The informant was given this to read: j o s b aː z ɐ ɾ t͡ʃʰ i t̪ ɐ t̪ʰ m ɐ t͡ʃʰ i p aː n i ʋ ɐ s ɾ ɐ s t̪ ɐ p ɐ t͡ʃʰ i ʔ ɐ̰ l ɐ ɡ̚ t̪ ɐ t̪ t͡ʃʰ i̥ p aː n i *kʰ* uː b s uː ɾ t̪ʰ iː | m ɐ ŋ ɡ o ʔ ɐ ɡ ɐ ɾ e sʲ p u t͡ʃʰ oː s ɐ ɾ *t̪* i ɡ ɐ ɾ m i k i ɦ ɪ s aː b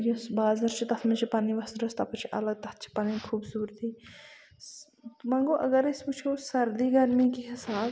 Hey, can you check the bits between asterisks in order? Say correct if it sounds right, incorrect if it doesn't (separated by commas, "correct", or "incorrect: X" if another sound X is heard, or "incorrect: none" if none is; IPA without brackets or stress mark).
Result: correct, incorrect: d̪